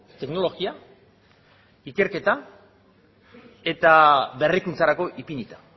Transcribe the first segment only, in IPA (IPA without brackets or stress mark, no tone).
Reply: t̪